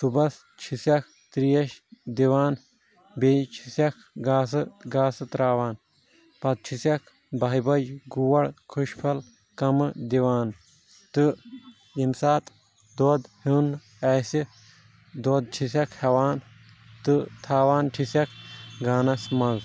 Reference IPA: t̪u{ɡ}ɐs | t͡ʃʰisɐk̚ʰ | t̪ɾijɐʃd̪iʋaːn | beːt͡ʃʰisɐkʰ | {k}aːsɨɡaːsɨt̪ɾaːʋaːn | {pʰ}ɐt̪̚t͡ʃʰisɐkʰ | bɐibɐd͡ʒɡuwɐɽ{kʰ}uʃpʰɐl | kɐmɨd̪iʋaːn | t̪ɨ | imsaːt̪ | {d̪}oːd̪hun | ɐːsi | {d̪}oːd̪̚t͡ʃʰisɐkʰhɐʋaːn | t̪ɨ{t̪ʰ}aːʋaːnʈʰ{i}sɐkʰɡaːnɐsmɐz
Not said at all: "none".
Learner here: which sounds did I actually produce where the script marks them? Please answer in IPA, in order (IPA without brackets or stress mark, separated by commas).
b, ɡ, p, kʰ, d̪, d̪, t̪ʰ, i